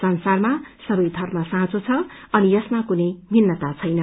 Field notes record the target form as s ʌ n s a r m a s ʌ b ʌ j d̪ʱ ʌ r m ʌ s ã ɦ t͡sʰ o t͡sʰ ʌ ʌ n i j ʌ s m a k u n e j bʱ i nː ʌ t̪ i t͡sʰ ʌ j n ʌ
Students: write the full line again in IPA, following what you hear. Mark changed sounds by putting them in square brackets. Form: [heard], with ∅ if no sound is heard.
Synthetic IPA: s ʌ n s a r m a s ʌ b ʌ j d̪ʱ ʌ r m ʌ s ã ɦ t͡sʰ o t͡sʰ ʌ ʌ n i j ʌ s m a k u n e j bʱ i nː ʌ t̪ [a] t͡sʰ ʌ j n ʌ